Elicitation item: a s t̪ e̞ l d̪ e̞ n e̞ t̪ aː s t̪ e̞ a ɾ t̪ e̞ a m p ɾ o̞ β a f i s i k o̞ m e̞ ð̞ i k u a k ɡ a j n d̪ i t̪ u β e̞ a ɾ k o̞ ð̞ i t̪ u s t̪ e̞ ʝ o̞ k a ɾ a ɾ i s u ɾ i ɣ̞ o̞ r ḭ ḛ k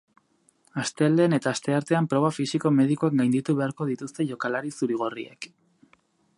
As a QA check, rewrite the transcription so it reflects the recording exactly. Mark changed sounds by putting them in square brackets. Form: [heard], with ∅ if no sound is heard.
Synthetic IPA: a s t̪ e̞ l d̪ e̞ n e̞ t̪ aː s t̪ e̞ a ɾ t̪ e̞ a m p ɾ o̞ β a f i s i k o̞ m e̞ ð̞ i k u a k ɡ a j n d̪ i t̪ u β e̞ a ɾ k o̞ ð̞ i t̪ u s t̪ e̞ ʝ o̞ k a [l] a ɾ i s u ɾ i ɣ̞ o̞ r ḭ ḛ k

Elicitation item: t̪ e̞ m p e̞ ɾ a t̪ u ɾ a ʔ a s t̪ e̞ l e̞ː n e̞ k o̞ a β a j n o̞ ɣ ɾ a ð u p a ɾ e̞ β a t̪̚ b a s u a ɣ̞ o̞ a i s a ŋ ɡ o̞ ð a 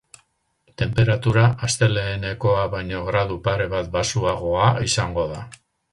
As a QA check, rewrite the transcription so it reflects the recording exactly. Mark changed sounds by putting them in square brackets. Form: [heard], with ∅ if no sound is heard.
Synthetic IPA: t̪ e̞ m p e̞ ɾ a t̪ u ɾ a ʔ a s t̪ e̞ l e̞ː n e̞ k o̞ a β a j [ɲ] o̞ ɣ ɾ a ð u p a ɾ e̞ β a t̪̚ b a s u a ɣ̞ o̞ a i s a ŋ ɡ o̞ ð a

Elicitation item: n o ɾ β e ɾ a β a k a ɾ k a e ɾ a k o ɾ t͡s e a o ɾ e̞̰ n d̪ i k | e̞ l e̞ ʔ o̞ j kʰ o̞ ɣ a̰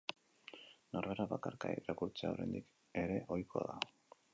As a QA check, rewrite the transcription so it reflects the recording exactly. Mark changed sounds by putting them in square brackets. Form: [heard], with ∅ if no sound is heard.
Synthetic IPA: n o ɾ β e ɾ a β a k a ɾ k a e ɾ a k [u] ɾ t͡s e a o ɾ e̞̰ n d̪ i k | e̞ [ɾ] e̞ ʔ o̞ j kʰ o̞ [ð] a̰

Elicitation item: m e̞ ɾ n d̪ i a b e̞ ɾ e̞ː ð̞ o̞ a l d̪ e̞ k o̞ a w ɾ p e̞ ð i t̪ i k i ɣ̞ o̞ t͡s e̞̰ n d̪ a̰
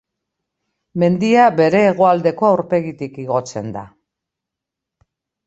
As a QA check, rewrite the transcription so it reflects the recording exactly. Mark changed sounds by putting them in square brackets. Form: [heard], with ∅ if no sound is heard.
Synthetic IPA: m e̞ [∅] n d̪ i a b e̞ ɾ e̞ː [ɣ̞] o̞ a l d̪ e̞ k o̞ a w ɾ p e̞ [ɣ] i t̪ i k i ɣ̞ o̞ t͡s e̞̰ n d̪ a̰

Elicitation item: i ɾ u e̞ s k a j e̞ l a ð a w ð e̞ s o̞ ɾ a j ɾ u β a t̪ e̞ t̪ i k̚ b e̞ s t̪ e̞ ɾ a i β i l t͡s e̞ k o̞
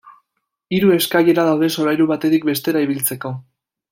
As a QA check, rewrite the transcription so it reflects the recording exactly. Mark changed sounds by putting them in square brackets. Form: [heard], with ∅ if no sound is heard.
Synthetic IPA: i ɾ u e̞ s k a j e̞ [ɾ] a ð a w ð e̞ s o̞ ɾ a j ɾ u β a t̪ e̞ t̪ i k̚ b e̞ s t̪ e̞ ɾ a i β i l t͡s e̞ k o̞

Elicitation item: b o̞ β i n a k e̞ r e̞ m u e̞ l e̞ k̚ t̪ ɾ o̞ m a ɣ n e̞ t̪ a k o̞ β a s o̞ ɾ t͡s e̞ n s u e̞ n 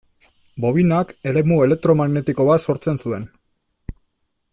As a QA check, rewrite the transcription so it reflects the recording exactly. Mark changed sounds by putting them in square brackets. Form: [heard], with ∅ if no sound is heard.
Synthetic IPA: b o̞ β i n a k e̞ [l] e̞ m u e̞ l e̞ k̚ t̪ ɾ o̞ m a ɣ n e̞ t̪ [i] k o̞ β a s o̞ ɾ t͡s e̞ n s u e̞ n

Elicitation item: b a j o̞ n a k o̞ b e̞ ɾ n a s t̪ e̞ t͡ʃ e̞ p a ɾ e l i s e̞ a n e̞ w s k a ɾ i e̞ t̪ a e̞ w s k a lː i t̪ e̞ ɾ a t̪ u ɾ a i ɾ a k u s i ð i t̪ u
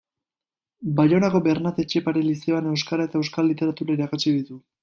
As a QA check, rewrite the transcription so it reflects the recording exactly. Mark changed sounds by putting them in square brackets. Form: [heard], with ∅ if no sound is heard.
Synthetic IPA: b a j o̞ n a k o̞ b e̞ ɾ n a [∅] t̪ e̞ t͡ʃ e̞ p a ɾ e l i s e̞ a n e̞ w s k a ɾ [a] e̞ t̪ a e̞ w s k a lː i t̪ e̞ ɾ a t̪ u ɾ a i ɾ a k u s i ð i t̪ u

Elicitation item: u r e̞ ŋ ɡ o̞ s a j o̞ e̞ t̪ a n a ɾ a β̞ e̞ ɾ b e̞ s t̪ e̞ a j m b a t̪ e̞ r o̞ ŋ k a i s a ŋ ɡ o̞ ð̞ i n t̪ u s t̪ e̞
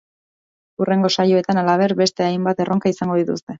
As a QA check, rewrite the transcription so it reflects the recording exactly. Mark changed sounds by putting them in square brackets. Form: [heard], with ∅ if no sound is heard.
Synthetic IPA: u r e̞ ŋ ɡ o̞ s a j o̞ e̞ t̪ a n a [l] a β̞ e̞ ɾ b e̞ s t̪ e̞ a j m b a t̪ e̞ r o̞ ŋ k a i s a ŋ ɡ o̞ ð̞ i [∅] t̪ u s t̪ e̞

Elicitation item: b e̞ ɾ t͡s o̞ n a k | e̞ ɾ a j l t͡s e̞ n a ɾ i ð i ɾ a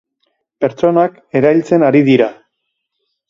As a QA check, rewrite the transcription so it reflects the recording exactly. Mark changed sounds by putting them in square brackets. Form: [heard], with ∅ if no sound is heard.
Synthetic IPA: [p] e̞ ɾ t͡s o̞ n a k | e̞ ɾ a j l t͡s e̞ n a ɾ i ð i ɾ a

